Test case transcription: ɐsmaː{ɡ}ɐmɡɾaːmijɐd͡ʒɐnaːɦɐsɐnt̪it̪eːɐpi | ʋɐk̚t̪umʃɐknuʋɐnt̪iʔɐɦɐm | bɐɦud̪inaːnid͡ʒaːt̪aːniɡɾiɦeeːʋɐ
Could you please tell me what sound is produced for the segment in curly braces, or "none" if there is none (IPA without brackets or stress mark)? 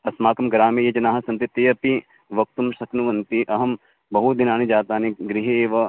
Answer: k